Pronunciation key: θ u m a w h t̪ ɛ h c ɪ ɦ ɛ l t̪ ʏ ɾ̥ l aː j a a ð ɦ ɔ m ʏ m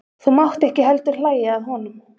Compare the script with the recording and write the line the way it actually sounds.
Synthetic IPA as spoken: θ u m a w h t̪ ɛ h c ɪ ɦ ɛ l t̪ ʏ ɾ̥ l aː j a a ð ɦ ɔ n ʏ m